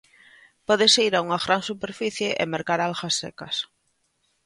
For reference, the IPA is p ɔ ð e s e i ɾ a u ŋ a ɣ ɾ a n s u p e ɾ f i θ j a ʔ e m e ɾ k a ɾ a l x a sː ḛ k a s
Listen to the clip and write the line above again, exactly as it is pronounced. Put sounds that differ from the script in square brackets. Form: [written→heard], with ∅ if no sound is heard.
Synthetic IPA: p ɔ ð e s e i ɾ a u ŋ a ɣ ɾ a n s u p e ɾ f i θ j [a→e] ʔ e m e ɾ k a ɾ a l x a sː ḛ k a s